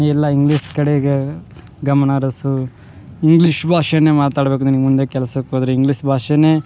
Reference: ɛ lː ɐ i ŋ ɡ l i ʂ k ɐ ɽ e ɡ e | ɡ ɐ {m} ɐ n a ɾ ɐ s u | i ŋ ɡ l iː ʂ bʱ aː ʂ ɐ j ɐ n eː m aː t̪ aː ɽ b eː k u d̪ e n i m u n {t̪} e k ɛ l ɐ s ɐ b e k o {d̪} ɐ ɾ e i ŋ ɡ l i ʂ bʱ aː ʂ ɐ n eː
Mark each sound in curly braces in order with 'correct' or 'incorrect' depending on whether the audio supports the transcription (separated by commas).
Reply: correct, incorrect, correct